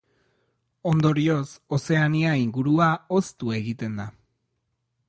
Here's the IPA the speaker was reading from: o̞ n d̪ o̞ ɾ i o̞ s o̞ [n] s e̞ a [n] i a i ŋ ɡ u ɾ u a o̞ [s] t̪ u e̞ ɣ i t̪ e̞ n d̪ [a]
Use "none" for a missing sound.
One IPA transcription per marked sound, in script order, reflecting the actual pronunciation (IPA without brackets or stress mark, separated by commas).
none, n, s, a